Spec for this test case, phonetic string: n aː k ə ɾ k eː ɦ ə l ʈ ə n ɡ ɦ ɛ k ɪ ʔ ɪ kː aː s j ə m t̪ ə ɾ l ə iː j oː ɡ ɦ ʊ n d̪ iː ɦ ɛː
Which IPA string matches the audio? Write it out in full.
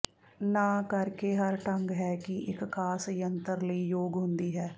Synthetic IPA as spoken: n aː k ə ɾ k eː ɦ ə ɾ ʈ ə ŋ ɡ ɦ ɛː k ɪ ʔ ɪ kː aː s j ə n t̪ ə ɾ l ə iː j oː ɡ ɦ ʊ n d̪ iː ɦ ɛː